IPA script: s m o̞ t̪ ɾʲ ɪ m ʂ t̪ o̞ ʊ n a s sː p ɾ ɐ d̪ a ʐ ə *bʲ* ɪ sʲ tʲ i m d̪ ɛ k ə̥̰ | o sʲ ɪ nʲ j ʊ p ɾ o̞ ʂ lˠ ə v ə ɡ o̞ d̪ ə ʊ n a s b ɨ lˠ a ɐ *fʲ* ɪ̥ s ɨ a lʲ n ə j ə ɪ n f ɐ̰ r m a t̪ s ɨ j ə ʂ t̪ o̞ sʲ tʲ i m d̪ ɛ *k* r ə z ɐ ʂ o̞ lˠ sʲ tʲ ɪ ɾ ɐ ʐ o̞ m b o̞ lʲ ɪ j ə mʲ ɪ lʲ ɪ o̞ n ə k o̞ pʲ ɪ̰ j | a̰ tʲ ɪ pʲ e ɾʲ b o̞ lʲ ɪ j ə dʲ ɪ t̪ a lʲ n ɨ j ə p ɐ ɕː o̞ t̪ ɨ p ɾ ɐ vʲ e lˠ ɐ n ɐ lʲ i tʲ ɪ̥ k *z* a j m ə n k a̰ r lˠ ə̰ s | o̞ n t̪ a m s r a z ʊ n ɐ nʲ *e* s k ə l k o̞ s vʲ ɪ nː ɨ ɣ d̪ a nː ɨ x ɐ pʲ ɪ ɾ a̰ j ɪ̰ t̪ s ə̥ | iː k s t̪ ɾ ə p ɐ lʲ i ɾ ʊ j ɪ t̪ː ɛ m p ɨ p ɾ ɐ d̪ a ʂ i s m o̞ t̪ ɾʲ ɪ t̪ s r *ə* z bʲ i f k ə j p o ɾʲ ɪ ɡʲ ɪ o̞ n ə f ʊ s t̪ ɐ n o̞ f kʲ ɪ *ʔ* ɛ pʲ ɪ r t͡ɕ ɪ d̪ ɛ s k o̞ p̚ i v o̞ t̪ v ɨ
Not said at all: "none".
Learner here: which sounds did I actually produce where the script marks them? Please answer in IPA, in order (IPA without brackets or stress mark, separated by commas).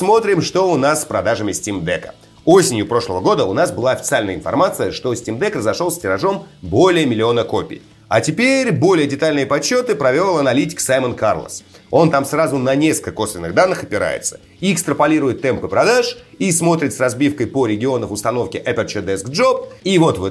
mʲ, fʲ, k, s, e, ɐ, ʔ